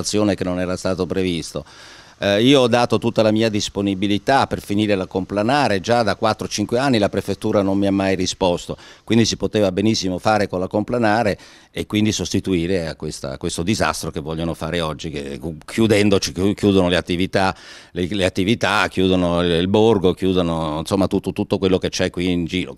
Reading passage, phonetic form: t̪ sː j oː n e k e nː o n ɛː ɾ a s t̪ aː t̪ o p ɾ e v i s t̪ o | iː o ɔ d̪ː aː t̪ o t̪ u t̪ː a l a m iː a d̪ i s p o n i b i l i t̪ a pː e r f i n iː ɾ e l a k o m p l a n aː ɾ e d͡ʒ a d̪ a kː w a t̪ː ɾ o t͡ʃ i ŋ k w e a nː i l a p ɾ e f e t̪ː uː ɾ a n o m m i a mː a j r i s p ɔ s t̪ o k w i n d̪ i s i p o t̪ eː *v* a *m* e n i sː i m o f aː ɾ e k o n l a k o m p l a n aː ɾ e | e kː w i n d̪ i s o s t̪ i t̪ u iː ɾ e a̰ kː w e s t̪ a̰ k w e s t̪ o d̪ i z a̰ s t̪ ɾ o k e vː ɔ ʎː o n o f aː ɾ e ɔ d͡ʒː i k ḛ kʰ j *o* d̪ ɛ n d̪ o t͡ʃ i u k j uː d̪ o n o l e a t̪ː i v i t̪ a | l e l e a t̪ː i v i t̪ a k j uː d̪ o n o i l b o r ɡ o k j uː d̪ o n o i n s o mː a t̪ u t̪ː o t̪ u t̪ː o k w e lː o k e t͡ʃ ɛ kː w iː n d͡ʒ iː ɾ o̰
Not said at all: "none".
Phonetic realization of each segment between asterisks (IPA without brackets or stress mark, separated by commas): v, b, u